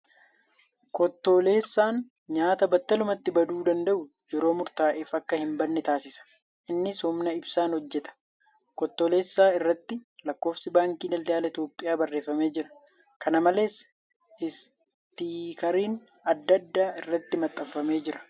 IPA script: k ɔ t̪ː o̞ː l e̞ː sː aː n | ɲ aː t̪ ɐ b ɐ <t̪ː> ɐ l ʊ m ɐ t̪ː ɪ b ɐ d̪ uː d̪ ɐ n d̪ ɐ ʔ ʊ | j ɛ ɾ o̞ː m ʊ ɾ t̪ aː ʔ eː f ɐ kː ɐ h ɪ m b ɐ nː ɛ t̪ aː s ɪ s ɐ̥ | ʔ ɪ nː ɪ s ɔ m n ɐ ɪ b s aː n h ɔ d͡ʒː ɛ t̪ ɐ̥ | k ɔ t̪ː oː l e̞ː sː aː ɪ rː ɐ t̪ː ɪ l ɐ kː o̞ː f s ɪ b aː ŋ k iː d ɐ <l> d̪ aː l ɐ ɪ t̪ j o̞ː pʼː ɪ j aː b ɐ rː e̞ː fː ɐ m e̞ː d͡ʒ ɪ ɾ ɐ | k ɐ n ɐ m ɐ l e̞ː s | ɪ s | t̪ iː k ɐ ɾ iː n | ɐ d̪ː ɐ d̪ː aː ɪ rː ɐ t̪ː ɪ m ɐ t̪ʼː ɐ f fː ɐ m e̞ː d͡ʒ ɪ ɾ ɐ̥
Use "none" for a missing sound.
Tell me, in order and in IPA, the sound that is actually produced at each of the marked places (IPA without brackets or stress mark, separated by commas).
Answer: t̪ː, l